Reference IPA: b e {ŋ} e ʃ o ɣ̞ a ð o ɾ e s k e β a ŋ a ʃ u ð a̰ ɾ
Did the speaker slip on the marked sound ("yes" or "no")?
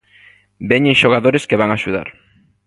yes